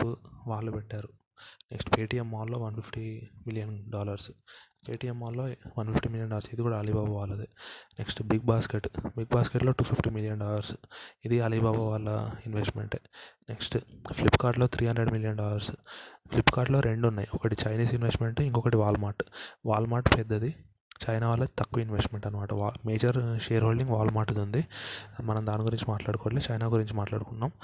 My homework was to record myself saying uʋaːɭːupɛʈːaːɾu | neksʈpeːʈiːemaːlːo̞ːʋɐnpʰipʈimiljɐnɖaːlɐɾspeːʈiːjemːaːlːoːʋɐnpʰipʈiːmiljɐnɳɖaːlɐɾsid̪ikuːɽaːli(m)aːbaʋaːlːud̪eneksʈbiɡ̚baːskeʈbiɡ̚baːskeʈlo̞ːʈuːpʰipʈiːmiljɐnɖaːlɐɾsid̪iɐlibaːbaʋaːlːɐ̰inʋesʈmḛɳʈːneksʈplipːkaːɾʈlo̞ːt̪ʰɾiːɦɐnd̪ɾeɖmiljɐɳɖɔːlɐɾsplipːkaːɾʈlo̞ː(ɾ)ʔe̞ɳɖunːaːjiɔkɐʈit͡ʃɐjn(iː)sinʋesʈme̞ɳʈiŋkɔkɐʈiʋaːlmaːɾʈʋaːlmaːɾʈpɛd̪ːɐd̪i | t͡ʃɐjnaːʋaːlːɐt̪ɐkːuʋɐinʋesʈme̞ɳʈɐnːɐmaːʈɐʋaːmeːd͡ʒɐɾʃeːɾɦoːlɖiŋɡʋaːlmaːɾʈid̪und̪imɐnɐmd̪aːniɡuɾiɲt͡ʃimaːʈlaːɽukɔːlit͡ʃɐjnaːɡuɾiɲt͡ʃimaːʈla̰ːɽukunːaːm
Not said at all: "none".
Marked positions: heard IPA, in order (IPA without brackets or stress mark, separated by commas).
b, ɾ, iː